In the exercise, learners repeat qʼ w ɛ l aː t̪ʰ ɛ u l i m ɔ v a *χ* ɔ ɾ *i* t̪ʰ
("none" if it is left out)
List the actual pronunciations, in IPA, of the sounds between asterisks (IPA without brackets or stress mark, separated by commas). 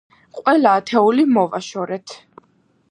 ʃ, ɛ